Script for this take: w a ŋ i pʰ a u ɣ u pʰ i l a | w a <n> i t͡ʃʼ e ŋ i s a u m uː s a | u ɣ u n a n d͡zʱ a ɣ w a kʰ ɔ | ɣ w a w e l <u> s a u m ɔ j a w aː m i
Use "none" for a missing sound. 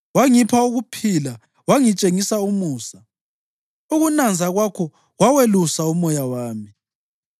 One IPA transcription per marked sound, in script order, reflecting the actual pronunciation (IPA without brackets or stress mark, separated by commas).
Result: ŋ, u